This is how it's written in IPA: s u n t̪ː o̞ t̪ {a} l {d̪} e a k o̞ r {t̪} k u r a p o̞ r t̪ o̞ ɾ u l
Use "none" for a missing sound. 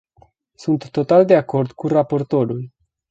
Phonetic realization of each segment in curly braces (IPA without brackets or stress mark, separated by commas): a, d̪, d̪